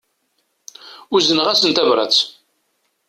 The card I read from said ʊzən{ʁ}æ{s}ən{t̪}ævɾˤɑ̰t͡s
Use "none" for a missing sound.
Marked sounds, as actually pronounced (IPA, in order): ʁ, s, t̪

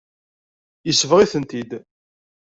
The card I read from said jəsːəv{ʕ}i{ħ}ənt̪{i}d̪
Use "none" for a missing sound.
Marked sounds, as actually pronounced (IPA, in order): ʁ, θ, i

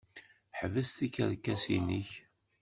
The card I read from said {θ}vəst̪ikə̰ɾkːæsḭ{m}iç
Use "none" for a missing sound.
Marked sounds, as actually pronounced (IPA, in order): ħ, n

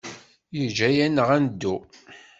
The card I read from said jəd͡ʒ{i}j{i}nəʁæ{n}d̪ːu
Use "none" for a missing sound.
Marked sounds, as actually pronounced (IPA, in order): æ, æ, n

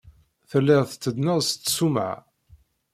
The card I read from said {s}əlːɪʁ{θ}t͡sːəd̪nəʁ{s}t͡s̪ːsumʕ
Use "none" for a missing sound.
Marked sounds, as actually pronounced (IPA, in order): θ, θ, s

